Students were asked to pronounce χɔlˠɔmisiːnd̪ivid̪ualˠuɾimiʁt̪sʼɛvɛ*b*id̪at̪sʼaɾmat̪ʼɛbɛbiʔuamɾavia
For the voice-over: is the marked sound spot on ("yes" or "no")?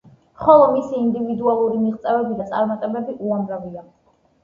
yes